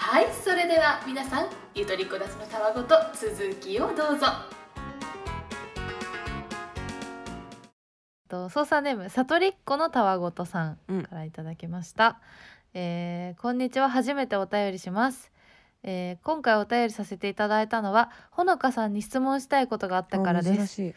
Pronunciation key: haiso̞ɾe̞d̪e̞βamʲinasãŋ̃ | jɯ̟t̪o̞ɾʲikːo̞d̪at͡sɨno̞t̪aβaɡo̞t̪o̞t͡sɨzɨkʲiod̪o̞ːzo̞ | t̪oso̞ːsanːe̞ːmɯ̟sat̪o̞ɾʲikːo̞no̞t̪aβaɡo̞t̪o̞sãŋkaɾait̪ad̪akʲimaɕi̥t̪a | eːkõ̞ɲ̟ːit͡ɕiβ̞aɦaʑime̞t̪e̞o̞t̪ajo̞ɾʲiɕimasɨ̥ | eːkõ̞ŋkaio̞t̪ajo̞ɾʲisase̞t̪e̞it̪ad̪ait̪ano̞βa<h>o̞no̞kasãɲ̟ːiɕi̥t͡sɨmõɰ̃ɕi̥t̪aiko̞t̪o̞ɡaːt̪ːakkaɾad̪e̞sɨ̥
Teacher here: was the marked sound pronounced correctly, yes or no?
yes